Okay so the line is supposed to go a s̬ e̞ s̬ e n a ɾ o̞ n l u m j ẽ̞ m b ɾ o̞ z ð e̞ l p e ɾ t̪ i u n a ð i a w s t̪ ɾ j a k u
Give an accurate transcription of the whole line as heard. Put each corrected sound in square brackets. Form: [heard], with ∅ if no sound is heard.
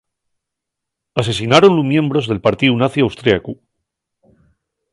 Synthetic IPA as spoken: a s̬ e̞ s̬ [i] n a ɾ o̞ n l u m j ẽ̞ m b ɾ o̞ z ð e̞ l p [a] ɾ t̪ i u n a [θ] i a w s t̪ ɾ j a k u